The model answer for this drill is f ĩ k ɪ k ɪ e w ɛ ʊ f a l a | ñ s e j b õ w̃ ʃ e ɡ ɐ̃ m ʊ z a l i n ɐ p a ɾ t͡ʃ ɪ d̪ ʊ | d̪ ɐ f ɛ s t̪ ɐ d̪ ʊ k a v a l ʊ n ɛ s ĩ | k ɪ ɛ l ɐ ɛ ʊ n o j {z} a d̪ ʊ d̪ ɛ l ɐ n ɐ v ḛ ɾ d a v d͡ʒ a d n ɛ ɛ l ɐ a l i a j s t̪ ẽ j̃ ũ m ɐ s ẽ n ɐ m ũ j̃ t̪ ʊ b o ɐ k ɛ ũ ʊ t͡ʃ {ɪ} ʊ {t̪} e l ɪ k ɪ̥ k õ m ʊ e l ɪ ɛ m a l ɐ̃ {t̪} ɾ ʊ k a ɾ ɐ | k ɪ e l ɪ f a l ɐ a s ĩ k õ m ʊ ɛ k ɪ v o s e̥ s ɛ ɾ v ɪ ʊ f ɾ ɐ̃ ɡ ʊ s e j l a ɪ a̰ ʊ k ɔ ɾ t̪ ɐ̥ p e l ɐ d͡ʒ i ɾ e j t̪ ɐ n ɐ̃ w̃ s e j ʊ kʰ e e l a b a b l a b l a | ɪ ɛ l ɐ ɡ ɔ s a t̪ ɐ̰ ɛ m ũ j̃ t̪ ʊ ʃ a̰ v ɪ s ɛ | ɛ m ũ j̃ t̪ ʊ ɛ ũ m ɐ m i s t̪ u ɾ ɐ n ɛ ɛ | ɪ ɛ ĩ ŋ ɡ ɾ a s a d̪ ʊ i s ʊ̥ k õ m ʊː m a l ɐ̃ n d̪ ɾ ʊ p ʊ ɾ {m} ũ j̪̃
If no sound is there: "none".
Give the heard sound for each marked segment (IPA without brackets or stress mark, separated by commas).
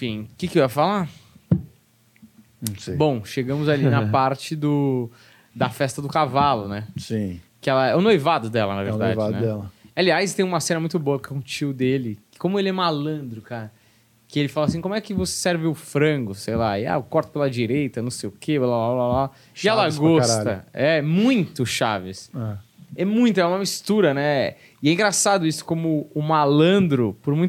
v, i, d̪, d̪, m